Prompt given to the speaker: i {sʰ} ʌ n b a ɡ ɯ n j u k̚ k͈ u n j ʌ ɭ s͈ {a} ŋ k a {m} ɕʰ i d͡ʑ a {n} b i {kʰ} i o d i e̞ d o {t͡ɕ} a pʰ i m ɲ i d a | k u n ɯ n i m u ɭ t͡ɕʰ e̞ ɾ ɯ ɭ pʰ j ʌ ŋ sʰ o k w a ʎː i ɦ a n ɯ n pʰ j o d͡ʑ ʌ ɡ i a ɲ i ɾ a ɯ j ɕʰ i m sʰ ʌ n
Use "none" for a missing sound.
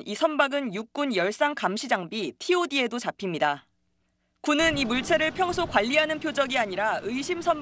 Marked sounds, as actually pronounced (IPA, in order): sʰ, a, m, ŋ, tʰ, t͡ɕ

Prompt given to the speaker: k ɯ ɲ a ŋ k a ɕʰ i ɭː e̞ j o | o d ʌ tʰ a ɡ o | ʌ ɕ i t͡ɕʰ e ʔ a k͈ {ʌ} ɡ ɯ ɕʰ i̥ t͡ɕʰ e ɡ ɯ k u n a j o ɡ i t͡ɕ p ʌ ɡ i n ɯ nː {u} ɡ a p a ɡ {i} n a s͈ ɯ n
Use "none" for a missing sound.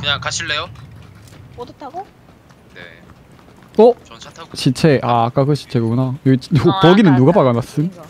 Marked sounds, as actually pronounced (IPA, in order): a, u, a

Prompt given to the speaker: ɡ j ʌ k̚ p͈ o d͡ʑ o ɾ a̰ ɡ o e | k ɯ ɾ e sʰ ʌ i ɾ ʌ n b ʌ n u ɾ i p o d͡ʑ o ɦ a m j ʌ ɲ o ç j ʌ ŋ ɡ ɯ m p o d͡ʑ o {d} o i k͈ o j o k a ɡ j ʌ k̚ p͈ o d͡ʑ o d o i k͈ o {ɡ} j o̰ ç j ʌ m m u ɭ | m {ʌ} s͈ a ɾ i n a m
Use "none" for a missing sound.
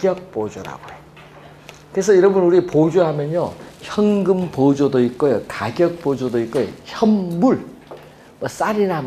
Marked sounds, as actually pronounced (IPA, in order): d, none, ʌ

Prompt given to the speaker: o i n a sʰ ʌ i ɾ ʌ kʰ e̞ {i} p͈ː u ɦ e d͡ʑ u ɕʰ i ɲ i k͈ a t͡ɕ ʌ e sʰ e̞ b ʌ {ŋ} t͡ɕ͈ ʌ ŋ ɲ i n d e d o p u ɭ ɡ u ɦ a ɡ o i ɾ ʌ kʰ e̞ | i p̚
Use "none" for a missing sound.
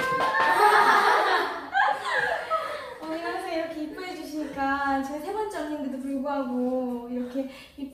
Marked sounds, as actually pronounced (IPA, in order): i, n

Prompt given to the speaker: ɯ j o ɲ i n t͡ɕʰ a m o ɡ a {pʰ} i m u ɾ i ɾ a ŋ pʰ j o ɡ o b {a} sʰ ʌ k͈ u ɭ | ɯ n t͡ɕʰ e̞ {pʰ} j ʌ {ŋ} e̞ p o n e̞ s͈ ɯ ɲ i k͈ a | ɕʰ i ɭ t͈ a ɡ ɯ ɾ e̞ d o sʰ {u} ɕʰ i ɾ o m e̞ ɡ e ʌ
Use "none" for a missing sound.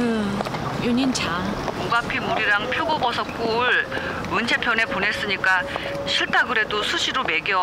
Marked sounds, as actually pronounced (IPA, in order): pʰ, ʌ, pʰ, n, u

